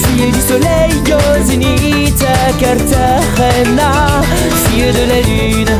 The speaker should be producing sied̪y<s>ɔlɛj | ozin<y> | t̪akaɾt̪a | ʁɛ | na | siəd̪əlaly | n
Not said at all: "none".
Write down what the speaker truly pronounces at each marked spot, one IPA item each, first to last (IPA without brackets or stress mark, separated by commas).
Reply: s, i